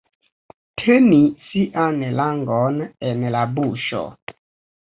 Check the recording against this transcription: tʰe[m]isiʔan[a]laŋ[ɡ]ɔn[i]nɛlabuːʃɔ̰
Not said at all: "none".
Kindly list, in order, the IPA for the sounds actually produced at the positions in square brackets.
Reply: n, ɛ, ɡ, ɛ

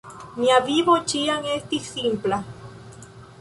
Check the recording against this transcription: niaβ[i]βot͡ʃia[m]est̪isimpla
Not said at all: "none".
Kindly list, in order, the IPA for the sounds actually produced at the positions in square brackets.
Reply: i, ŋ

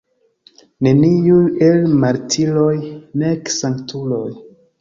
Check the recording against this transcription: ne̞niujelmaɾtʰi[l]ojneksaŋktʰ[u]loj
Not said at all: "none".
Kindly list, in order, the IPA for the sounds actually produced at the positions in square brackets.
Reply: l, u

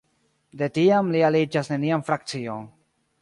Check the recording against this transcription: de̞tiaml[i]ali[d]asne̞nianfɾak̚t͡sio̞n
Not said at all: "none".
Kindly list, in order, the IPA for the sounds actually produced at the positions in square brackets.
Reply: i, d͡ʒ

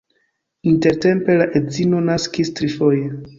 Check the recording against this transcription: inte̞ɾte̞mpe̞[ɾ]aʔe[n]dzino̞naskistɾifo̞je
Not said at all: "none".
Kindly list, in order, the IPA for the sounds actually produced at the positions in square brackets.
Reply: l, none

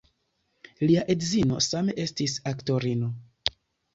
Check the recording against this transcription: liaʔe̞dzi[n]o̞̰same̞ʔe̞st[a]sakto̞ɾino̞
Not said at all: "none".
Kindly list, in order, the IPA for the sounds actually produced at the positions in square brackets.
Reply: n, i

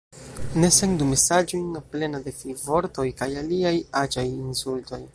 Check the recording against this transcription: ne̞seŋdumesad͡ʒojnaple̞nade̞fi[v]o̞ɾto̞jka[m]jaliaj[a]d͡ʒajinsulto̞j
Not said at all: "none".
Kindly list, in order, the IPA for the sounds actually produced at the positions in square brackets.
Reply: v, none, a

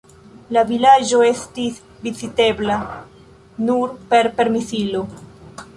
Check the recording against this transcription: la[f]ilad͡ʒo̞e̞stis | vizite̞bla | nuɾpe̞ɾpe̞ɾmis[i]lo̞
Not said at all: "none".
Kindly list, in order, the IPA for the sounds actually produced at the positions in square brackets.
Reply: v, i

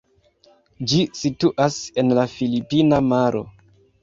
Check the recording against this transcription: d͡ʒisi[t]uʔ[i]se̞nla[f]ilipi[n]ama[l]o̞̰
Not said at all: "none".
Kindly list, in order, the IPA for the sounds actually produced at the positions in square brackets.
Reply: t, a, f, n, ɾ

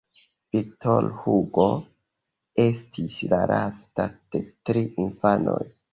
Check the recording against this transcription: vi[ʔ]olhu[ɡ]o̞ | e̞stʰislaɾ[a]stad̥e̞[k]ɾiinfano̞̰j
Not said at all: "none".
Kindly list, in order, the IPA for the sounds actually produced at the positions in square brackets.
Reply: t, ɡ, a, t

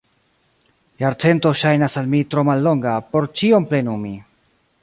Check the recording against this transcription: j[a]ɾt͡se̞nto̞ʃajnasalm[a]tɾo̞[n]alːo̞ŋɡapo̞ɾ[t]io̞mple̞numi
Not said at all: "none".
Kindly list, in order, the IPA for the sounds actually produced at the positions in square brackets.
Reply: a, i, m, t͡ʃ

